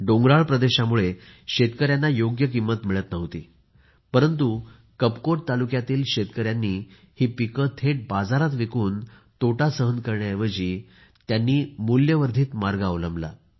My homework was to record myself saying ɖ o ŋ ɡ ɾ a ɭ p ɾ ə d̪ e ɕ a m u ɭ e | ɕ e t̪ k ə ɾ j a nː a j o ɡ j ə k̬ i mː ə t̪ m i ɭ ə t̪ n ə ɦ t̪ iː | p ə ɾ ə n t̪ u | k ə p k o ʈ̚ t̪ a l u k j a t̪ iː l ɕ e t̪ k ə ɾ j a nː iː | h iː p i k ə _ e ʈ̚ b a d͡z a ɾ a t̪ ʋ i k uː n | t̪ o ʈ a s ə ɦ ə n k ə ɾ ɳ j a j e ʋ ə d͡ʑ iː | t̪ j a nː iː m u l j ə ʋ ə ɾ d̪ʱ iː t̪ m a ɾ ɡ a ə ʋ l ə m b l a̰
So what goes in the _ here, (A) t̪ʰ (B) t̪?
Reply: A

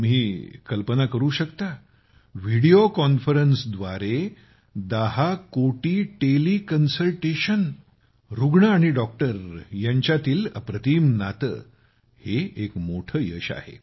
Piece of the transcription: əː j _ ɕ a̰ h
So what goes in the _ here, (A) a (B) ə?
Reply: B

